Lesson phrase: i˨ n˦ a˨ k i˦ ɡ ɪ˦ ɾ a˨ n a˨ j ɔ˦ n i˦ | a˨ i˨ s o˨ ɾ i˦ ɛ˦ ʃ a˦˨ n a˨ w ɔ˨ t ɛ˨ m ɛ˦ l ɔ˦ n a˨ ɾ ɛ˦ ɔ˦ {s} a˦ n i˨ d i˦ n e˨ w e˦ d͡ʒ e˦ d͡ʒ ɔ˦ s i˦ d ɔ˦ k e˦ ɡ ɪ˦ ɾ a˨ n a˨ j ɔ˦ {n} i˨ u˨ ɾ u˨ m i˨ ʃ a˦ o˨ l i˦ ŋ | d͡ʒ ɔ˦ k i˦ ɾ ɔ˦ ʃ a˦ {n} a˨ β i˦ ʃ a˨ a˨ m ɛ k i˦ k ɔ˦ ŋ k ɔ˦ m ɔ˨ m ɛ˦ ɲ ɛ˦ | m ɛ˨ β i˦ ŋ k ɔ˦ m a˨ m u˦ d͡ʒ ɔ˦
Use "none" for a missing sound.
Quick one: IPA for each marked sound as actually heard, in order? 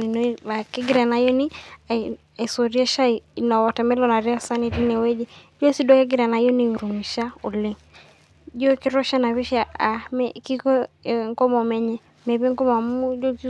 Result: s, n, n

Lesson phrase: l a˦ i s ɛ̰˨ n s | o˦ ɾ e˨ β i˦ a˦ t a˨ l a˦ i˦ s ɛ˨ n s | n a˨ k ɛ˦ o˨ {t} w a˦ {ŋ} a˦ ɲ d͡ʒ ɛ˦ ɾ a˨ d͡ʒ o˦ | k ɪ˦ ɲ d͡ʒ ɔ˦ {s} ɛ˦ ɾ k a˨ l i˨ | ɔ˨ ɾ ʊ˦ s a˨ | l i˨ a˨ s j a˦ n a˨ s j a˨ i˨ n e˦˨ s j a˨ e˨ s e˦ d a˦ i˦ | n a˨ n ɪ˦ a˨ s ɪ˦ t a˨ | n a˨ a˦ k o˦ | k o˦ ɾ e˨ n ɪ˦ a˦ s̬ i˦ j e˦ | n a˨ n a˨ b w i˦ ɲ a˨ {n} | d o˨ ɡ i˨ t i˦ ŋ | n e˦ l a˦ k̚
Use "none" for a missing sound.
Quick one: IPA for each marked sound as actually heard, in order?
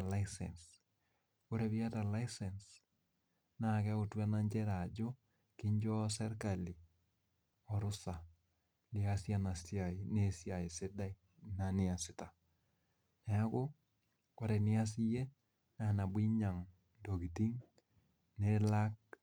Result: t, n, s, ŋ

